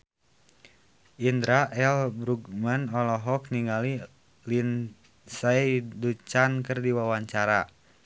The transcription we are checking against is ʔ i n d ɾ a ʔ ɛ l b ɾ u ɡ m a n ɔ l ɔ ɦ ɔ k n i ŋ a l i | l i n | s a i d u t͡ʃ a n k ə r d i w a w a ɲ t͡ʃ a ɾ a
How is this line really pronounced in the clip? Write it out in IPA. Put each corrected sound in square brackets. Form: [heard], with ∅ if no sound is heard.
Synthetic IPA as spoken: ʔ i n d ɾ a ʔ ɛ l b ɾ u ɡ m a n ɔ l ɔ ɦ ɔ k n i ŋ a l i | l i n | s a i d u t͡ʃ a n k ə r d i w a w a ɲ t͡ʃ a ɾ a